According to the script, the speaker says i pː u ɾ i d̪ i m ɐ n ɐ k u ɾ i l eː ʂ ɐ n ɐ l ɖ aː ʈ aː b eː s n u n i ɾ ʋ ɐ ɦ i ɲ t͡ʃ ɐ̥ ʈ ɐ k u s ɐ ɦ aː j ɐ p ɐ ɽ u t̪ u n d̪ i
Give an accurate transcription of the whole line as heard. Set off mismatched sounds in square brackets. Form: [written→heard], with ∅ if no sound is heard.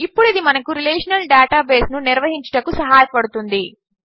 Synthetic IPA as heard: i pː u [ɾ→ɽ] i d̪ i m ɐ n ɐ k u ɾ i l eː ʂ ɐ n ɐ l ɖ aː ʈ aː b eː s n u n i ɾ ʋ ɐ ɦ i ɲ t͡ʃ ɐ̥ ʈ ɐ k u s ɐ ɦ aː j ɐ p ɐ ɽ u t̪ u n d̪ i